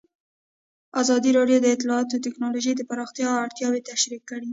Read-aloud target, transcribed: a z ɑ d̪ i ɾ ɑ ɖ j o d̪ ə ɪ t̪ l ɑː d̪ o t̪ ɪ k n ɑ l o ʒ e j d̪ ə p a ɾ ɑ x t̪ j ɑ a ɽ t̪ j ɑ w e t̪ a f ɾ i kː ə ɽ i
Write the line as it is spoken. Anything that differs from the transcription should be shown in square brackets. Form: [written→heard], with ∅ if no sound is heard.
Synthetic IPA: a z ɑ d̪ i ɾ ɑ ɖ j o d̪ ə ɪ t̪ l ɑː [d̪→t̪] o t̪ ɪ k n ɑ l o ʒ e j d̪ ə p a ɾ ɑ x t̪ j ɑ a ɽ t̪ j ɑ w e t̪ a [f→ʃ] ɾ i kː ə ɽ i